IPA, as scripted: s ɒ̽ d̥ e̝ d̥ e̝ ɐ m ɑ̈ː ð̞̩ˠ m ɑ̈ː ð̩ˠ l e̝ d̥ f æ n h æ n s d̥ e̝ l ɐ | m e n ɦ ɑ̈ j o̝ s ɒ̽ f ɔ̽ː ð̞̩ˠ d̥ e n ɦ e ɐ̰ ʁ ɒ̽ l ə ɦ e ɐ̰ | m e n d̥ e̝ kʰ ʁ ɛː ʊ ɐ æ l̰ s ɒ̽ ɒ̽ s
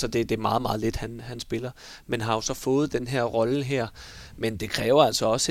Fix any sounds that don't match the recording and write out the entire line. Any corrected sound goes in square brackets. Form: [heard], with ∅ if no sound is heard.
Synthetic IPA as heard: s ɒ̽ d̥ e̝ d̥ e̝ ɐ m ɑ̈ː ð̞̩ˠ m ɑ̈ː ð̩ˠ l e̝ d̥ [h] æ n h æ n s [b̥] e̝ l ɐ | m e n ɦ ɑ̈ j o̝ s ɒ̽ f ɔ̽ː ð̞̩ˠ d̥ e n ɦ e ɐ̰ ʁ ɒ̽ l ə ɦ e ɐ̰ | m e n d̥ e̝ kʰ ʁ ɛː ʊ ɐ æ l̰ s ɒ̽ ɒ̽ s